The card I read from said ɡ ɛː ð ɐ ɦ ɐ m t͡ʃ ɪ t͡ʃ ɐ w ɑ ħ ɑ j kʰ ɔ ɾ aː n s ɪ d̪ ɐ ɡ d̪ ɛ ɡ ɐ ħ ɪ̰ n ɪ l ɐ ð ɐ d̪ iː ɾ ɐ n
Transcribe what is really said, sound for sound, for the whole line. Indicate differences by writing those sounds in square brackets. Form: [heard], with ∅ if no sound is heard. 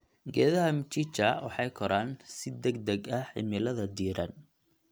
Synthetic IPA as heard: ɡ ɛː ð ɐ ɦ ɐ m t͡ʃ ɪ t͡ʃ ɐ w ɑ ħ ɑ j kʰ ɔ ɾ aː n s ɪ d̪ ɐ ɡ d̪ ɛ ɡ ɐ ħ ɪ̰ [m] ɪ l ɐ ð ɐ d̪ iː ɾ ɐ n